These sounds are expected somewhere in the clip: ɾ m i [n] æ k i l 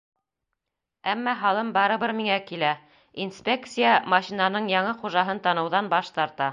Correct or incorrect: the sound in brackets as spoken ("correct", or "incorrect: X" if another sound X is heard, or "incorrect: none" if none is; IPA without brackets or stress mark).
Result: incorrect: ŋ